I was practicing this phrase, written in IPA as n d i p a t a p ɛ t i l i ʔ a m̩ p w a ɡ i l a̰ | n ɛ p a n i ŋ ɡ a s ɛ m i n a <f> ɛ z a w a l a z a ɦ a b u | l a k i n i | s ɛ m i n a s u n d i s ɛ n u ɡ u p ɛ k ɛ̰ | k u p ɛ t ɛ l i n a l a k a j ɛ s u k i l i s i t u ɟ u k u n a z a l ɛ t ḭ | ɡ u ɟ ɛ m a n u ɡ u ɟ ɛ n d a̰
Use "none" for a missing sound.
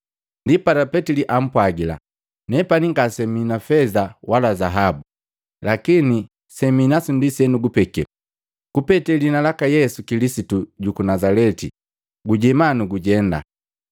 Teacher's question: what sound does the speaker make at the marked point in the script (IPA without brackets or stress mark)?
f